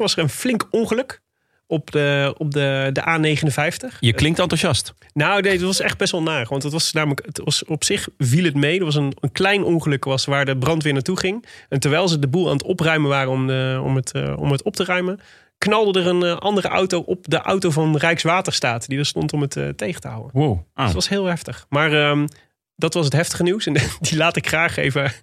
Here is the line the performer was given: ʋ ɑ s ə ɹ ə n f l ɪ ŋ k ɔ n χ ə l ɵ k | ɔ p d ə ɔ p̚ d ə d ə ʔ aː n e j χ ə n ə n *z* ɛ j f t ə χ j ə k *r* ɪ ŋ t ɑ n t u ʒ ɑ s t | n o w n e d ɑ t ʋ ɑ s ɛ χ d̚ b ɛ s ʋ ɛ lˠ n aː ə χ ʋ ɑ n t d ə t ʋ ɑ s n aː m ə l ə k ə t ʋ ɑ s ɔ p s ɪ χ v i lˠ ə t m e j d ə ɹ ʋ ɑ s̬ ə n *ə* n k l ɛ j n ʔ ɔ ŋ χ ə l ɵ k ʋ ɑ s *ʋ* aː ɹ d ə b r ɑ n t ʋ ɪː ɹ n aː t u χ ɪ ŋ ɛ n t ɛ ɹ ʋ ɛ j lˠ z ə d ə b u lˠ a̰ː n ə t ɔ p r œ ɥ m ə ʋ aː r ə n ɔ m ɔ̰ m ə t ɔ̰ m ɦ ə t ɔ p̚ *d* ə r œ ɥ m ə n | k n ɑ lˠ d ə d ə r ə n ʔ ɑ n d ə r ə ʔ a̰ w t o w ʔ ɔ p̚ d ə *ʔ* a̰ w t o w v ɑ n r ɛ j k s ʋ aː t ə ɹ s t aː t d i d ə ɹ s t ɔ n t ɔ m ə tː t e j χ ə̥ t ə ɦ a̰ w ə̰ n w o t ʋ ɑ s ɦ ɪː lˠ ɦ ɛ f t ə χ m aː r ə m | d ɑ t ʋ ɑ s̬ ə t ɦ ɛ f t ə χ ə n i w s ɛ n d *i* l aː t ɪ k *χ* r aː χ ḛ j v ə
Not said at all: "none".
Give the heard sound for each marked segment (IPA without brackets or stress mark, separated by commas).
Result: v, l, ə, ʋ, t, ʔ, i, χ